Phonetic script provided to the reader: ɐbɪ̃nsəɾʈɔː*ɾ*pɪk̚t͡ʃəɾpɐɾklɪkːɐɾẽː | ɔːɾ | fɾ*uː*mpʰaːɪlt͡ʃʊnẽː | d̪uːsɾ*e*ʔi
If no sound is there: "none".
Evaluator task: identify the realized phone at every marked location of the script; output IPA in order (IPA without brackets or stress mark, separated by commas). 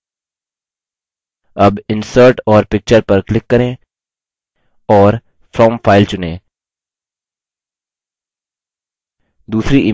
ɾ, ɔː, i